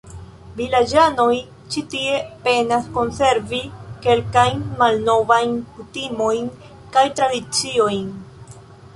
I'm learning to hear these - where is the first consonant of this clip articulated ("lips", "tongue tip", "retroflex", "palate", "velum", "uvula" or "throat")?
lips